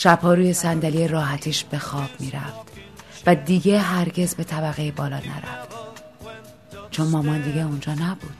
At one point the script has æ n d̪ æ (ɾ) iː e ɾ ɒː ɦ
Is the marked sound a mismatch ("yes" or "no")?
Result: yes